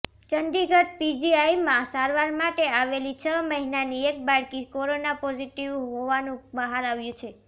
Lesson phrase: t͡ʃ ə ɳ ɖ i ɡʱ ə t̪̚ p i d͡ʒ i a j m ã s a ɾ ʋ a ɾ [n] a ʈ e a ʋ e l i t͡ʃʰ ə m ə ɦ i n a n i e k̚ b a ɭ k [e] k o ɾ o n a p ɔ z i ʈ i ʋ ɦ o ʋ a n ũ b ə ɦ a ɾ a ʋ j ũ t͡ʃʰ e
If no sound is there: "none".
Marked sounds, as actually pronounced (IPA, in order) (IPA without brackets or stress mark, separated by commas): m, i